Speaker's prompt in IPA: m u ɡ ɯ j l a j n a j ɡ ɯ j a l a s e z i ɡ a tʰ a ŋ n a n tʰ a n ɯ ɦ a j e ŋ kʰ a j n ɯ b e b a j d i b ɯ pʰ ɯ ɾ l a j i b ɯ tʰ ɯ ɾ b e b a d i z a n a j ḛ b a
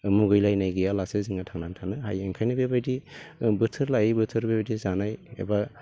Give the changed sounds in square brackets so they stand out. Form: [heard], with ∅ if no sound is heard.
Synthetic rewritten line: m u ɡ ɯ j l a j n a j ɡ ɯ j a l a s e z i [ŋ] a tʰ a ŋ n a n tʰ a n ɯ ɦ a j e ŋ kʰ a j n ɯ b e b a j d i b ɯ [tʰ] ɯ ɾ l a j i b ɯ tʰ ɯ ɾ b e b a d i z a n a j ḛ b a